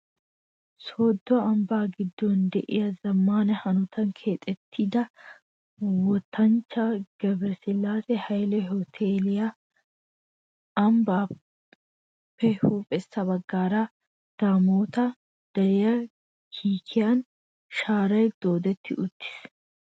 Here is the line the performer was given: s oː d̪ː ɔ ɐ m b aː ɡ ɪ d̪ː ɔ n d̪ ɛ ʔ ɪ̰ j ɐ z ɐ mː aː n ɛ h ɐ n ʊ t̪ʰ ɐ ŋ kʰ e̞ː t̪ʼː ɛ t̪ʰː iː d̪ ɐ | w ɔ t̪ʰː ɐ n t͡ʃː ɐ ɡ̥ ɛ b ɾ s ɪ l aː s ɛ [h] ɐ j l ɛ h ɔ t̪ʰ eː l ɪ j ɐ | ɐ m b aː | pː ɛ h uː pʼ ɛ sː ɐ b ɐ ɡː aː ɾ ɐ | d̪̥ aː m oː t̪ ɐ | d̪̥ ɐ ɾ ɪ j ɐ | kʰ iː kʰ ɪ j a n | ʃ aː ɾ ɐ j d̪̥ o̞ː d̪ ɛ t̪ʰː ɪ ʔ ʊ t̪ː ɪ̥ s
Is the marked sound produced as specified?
yes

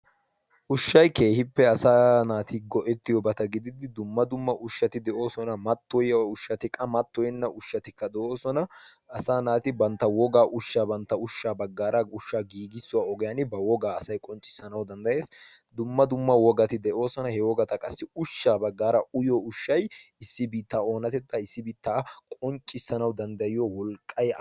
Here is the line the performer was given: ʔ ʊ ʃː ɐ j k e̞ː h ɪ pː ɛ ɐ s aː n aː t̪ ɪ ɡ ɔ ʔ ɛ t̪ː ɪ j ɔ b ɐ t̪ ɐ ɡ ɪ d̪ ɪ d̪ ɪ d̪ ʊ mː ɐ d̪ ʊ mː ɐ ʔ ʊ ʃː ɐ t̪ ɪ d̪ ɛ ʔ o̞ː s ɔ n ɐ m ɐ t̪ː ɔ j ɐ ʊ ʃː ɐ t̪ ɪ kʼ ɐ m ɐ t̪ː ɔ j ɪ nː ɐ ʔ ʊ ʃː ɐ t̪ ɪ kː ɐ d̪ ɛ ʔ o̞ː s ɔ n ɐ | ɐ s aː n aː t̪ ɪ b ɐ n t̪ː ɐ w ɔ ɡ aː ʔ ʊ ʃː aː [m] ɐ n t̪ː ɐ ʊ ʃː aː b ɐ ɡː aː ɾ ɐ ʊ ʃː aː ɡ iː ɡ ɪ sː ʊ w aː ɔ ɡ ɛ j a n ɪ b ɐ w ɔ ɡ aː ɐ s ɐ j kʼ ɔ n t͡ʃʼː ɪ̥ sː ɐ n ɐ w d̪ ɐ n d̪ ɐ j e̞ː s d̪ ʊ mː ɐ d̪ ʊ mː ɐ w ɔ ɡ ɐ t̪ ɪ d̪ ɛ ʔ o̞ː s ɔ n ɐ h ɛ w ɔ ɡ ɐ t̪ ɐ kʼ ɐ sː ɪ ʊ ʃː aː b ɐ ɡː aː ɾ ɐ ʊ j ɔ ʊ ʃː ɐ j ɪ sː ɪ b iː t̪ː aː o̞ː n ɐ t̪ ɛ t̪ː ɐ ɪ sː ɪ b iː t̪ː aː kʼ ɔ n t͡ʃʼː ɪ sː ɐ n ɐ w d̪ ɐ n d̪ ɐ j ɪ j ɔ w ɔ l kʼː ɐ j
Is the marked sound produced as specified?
no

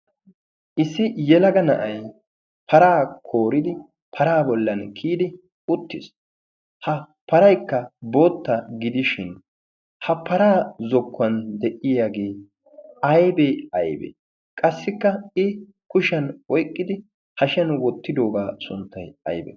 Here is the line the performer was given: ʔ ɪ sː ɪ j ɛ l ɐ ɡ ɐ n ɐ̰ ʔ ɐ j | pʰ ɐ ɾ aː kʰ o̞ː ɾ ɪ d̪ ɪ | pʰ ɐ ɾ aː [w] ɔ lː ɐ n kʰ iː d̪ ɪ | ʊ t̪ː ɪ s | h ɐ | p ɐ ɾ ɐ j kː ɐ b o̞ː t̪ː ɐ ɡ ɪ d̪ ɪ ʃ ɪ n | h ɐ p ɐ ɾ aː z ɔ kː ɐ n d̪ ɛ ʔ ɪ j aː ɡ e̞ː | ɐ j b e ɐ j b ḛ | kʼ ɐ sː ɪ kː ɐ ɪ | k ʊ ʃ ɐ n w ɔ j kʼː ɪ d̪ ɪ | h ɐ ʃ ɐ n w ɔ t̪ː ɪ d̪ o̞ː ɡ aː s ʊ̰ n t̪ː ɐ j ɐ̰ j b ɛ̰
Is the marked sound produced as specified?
no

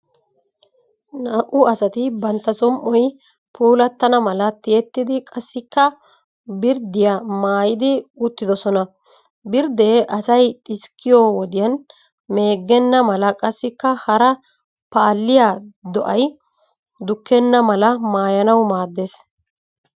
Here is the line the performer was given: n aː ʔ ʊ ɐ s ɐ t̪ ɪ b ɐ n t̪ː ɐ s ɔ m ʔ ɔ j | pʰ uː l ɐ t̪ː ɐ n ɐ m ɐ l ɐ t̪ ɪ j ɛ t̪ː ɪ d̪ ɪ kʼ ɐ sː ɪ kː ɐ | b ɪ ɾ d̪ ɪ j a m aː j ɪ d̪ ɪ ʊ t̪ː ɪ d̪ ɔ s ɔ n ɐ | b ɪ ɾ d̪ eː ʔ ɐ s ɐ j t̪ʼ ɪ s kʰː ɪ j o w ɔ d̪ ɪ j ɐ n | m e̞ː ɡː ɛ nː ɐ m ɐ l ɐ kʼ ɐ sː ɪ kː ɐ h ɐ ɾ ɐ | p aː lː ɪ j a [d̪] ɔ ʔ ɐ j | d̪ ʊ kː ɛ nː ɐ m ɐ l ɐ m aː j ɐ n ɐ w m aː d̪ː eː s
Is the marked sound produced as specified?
yes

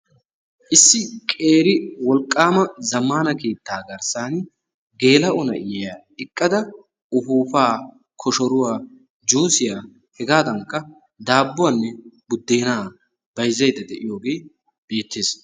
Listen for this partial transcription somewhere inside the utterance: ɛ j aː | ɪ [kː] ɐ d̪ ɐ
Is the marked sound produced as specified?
no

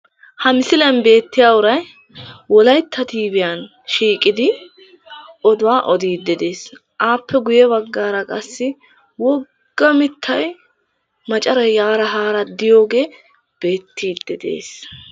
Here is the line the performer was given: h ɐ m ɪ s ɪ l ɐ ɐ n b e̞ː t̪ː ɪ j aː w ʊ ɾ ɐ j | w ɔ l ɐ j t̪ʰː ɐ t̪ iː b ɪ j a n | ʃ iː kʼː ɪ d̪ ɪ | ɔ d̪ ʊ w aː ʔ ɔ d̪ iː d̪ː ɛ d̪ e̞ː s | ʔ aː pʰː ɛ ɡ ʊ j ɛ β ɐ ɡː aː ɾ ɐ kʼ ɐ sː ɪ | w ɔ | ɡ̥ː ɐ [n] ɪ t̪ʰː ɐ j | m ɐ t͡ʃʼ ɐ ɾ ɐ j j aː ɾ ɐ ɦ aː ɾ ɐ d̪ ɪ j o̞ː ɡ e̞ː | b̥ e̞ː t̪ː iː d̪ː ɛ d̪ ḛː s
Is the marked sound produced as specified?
no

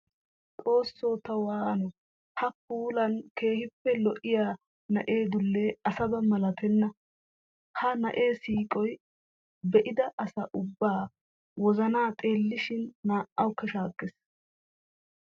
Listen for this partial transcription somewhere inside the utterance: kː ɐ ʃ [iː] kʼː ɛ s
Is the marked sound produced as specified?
no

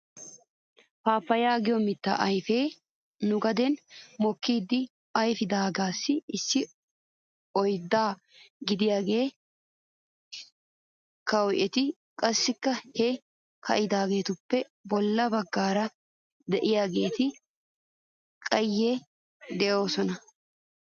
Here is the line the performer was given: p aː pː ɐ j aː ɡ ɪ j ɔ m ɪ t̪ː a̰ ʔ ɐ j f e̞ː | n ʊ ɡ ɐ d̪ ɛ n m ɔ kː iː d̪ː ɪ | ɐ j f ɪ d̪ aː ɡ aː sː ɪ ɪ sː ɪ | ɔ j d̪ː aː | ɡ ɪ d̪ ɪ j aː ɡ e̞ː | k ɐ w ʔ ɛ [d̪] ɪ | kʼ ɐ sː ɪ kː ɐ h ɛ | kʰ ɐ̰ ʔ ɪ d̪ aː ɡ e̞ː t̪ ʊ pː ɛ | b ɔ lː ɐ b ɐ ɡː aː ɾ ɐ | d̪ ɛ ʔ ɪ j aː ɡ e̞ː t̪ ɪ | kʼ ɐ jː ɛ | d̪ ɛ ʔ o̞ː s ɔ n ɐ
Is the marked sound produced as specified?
no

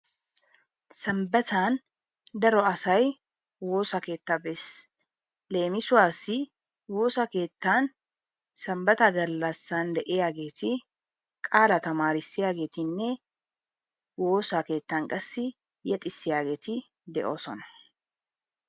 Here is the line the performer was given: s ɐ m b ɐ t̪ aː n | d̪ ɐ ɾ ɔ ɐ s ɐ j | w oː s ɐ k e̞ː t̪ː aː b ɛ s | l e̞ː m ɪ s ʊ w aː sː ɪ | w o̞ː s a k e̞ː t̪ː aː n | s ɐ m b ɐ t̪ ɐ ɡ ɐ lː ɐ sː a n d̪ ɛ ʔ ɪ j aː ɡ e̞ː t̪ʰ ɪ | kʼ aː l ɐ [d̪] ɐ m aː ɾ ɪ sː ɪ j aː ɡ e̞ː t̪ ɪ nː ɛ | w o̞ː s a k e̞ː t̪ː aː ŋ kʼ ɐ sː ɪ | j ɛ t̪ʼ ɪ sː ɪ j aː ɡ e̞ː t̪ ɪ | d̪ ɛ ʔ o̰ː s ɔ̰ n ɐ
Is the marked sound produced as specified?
no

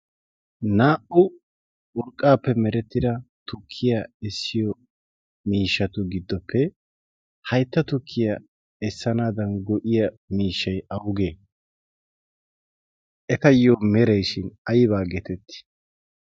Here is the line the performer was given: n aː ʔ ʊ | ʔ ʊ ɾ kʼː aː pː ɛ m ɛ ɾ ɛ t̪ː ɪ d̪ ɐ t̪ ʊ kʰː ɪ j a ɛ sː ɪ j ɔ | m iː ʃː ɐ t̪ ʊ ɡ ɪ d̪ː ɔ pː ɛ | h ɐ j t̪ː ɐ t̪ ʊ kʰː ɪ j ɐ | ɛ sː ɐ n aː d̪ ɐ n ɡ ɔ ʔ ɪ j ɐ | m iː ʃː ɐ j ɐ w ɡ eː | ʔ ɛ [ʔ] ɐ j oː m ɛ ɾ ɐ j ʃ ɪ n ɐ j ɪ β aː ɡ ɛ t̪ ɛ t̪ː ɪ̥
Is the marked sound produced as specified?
no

